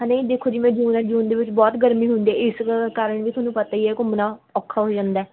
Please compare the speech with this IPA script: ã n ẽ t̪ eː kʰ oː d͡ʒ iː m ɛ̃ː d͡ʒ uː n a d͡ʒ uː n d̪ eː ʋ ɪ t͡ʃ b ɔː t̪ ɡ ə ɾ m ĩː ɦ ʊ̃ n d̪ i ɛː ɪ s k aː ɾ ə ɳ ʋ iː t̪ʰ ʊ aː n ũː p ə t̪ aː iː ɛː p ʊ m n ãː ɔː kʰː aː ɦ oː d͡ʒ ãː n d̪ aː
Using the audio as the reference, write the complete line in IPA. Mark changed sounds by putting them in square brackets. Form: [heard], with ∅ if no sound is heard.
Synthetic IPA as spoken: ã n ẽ [d̪] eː kʰ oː d͡ʒ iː m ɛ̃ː d͡ʒ uː n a d͡ʒ uː n d̪ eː ʋ ɪ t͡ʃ b ɔː t̪ ɡ ə ɾ m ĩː ɦ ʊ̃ n d̪ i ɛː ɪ s k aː ɾ ə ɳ ʋ iː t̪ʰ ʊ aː n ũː p ə t̪ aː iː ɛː [k] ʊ m n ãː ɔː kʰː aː ɦ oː d͡ʒ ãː n d̪ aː